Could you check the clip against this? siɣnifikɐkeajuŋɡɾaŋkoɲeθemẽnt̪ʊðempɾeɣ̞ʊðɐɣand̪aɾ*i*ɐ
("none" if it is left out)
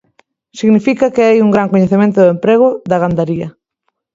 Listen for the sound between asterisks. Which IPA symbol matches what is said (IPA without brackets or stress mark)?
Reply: i